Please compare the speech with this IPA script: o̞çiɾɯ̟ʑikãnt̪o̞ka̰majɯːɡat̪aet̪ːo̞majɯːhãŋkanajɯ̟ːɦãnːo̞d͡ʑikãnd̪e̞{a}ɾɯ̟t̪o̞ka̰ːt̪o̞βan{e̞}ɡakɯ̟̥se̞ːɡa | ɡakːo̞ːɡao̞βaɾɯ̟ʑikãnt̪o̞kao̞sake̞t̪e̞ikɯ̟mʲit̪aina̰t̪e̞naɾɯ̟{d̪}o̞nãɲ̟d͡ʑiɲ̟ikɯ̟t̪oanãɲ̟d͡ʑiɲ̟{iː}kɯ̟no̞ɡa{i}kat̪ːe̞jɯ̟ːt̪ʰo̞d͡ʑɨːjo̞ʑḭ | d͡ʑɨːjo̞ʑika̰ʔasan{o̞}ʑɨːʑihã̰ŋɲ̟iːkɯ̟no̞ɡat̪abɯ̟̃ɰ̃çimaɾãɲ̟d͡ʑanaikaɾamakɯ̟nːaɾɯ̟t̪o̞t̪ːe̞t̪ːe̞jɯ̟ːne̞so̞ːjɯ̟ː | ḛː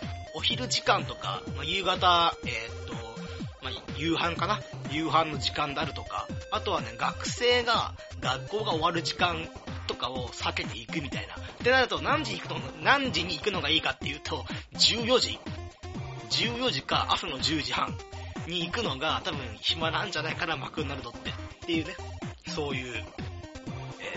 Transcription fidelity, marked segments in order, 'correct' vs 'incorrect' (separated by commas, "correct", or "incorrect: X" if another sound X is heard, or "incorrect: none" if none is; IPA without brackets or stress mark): correct, correct, incorrect: t̪, correct, incorrect: iː, correct